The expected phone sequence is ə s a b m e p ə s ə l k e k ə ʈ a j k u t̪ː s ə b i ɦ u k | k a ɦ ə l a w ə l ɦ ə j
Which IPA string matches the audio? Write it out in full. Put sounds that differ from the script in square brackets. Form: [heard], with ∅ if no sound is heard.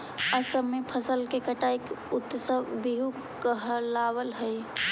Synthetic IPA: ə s [ə] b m e [pʰ] ə s ə l k e k ə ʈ a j k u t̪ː s ə b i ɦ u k | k [ə] ɦ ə l a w ə l ɦ ə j